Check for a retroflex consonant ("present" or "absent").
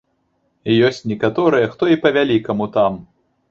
absent